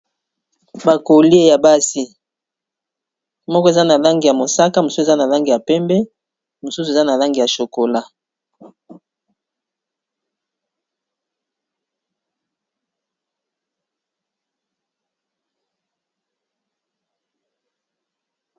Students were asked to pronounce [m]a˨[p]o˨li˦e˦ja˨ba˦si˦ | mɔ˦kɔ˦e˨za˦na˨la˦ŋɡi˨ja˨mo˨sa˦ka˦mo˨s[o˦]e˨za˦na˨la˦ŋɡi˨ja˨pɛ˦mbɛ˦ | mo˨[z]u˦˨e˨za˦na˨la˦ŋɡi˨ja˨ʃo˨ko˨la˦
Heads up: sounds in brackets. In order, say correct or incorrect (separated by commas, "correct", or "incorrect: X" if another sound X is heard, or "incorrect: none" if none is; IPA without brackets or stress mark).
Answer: incorrect: b, incorrect: k, incorrect: u˦, incorrect: s